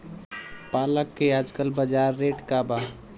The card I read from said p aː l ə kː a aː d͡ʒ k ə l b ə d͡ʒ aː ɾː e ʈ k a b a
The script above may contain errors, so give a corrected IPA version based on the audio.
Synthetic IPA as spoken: p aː l ə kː e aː d͡ʒ k ə l b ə d͡ʒ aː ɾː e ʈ k a b a